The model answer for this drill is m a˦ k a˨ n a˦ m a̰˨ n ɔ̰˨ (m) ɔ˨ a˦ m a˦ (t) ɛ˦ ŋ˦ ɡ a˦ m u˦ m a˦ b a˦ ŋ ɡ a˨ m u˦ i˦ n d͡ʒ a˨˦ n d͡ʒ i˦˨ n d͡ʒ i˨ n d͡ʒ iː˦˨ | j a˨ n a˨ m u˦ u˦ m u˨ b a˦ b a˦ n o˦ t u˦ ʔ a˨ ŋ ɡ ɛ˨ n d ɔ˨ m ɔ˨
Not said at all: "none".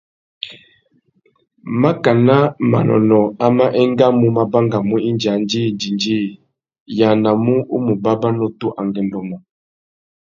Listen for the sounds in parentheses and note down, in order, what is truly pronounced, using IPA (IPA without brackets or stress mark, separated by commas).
n, ʔ